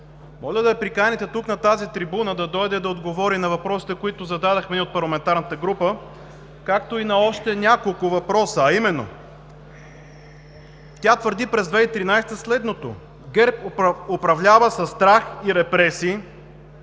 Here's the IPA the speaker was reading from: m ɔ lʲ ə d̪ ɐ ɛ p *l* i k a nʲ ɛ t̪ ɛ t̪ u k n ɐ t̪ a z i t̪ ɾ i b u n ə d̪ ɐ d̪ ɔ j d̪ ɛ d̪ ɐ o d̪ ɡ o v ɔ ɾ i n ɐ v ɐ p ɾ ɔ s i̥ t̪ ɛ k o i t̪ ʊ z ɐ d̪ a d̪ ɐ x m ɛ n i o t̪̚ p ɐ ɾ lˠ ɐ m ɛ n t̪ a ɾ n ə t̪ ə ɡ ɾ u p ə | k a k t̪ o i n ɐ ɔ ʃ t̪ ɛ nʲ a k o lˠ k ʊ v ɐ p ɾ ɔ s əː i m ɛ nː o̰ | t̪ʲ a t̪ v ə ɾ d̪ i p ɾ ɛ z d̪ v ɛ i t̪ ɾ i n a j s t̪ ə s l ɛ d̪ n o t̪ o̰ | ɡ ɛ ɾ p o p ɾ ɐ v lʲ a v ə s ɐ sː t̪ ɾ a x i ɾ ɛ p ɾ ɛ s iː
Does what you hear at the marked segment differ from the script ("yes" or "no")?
yes